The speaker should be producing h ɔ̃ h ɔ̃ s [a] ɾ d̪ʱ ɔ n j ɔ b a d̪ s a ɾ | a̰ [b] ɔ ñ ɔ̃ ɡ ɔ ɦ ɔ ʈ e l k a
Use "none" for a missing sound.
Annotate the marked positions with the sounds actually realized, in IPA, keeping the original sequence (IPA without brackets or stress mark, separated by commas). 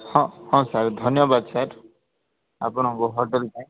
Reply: a, p